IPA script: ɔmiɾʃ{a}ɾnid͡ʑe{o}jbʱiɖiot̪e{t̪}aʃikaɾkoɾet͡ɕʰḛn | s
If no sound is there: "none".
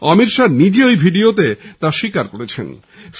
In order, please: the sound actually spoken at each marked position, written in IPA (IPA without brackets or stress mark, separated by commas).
a, o, t̪